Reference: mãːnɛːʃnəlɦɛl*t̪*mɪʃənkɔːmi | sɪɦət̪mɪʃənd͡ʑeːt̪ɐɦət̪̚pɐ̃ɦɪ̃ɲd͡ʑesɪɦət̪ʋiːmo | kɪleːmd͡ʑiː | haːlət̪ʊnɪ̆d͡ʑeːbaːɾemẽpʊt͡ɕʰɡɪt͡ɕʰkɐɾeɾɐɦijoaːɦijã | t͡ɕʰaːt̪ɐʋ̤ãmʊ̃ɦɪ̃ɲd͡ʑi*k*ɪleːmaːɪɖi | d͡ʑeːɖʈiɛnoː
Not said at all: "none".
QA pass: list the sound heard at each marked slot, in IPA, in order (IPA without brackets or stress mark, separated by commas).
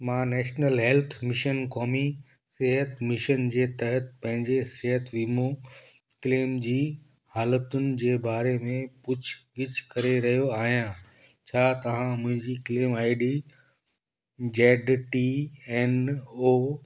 t̪ʰ, k